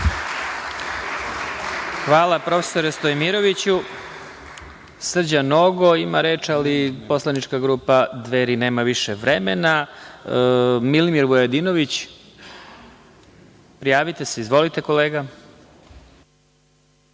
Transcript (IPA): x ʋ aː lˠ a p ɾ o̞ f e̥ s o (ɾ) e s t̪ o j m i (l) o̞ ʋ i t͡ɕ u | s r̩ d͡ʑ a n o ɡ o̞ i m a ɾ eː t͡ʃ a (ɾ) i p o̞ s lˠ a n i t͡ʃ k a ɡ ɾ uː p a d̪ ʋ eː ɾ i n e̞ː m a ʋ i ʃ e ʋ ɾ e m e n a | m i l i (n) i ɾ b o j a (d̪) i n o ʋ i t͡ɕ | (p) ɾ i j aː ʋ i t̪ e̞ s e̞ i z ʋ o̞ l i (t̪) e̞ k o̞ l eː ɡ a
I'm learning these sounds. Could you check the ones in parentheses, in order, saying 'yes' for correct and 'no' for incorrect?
yes, no, no, no, yes, yes, yes

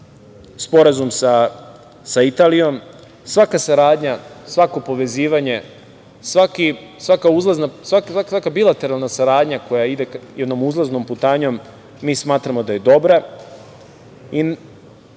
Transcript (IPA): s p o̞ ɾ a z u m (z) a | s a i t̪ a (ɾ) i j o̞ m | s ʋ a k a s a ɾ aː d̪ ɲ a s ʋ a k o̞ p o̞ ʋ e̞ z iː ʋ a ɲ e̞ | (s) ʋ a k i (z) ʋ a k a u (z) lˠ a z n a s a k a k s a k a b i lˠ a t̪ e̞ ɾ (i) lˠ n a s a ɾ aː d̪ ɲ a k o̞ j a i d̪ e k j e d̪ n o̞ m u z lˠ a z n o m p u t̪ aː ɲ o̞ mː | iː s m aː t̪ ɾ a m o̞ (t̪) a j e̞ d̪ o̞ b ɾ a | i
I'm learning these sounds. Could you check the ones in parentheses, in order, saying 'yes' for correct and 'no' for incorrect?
no, no, yes, no, yes, no, no

